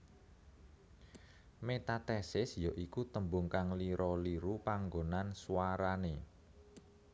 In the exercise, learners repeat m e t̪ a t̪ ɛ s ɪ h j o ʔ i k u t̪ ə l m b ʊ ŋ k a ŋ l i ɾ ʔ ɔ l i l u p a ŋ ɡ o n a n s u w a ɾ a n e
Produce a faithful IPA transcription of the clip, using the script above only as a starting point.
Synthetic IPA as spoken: m e t̪ a t̪ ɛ s ɪ s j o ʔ i k u t̪ ə m b ʊ ŋ k a ŋ l i ɾ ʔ ɔ l i ɾ u p a ŋ ɡ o n a n s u w a ɾ a n e